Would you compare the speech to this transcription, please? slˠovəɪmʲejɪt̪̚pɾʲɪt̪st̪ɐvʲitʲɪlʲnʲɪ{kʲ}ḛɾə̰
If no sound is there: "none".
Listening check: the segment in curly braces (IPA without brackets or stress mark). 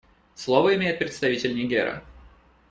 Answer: ɡʲ